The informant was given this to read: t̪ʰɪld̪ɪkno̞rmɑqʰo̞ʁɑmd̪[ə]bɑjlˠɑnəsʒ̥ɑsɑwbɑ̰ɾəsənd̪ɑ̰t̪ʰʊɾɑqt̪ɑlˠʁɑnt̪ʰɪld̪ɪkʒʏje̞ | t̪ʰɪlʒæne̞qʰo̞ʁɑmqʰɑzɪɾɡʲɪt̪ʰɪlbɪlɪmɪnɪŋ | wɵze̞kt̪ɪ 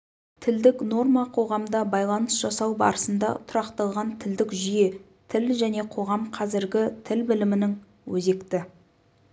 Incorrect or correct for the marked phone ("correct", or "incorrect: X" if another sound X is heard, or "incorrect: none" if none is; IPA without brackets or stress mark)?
incorrect: ɑ